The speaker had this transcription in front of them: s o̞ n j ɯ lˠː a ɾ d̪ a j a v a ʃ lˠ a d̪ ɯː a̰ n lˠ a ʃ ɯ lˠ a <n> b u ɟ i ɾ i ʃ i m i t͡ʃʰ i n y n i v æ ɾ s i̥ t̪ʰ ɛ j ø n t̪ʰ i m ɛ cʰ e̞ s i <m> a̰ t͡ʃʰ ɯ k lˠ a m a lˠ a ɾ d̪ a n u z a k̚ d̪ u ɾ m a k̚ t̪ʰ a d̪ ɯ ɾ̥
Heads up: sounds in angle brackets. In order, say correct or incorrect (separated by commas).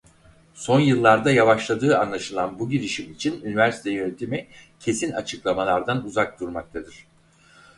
correct, incorrect